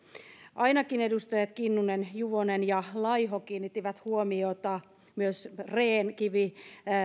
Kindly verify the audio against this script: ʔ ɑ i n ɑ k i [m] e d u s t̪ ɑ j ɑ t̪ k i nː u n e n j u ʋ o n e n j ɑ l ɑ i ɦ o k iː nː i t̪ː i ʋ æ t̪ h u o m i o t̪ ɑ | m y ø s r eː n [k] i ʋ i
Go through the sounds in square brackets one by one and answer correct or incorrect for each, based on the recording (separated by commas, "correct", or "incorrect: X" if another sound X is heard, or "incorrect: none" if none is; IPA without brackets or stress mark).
incorrect: n, correct